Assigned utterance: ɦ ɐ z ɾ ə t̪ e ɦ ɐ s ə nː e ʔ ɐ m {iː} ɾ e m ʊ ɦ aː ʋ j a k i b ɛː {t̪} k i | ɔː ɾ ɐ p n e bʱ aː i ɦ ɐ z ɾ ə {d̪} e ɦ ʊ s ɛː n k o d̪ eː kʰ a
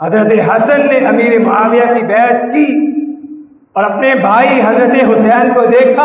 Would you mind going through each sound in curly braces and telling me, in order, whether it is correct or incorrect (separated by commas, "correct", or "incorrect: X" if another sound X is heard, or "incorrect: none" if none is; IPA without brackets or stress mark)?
correct, correct, incorrect: t̪